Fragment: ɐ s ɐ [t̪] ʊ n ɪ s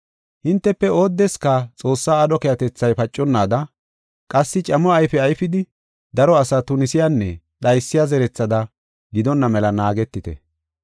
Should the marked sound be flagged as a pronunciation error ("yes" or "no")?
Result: no